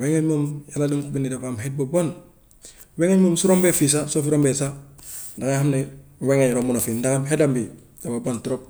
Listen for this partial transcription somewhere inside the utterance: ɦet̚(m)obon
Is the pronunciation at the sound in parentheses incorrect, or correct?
incorrect